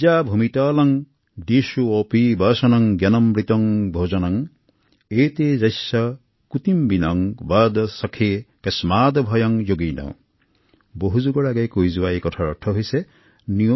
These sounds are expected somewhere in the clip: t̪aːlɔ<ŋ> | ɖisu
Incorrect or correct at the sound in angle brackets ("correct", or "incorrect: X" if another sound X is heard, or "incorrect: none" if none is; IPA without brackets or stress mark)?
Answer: correct